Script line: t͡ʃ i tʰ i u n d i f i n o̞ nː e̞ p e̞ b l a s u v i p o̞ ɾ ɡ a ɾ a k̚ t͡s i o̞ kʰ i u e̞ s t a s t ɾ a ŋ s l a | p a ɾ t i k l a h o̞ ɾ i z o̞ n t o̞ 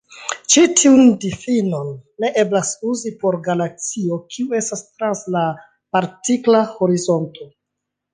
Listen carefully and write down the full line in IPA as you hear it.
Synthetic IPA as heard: t͡ʃ i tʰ i u n d i f i n o̞ nː e̞ ʔ e̞ b l a s u z i p o̞ ɾ ɡ a l a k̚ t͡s i o̞ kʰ i u e̞ s t a s t ɾ a n s l a | p a ɾ t i k l a h o̞ ɾ i z o̞ n t o̞